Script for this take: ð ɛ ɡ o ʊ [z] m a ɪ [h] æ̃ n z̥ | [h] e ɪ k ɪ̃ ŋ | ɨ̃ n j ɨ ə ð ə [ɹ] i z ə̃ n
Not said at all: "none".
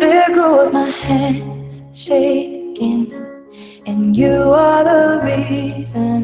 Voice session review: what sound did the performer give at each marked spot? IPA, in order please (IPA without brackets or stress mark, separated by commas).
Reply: z, h, ʃ, ɹ